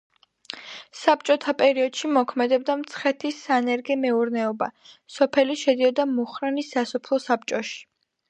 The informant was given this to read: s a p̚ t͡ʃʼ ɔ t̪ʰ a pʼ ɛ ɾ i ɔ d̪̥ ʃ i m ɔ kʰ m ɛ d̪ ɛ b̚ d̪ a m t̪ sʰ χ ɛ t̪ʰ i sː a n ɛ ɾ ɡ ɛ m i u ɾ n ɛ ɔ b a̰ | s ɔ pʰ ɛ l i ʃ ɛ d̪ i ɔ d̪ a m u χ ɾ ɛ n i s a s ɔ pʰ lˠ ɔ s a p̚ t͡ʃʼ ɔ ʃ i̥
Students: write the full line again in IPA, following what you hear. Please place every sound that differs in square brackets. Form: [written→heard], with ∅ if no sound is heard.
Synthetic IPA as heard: s a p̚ t͡ʃʼ ɔ t̪ʰ a pʼ ɛ ɾ i ɔ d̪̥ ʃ i m ɔ kʰ m ɛ d̪ ɛ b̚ d̪ a m t̪ sʰ χ ɛ t̪ʰ i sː a n ɛ ɾ ɡ ɛ m [i→ɛ] u ɾ n ɛ ɔ b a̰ | s ɔ pʰ ɛ l i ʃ ɛ d̪ i ɔ d̪ a m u χ ɾ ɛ n i s a s ɔ pʰ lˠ ɔ s a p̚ t͡ʃʼ ɔ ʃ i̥